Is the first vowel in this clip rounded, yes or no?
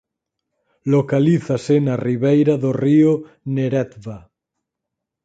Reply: yes